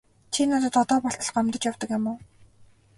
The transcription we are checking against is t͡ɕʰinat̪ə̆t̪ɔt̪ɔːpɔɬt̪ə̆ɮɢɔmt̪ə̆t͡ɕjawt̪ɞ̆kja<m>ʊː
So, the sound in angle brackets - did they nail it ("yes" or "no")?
yes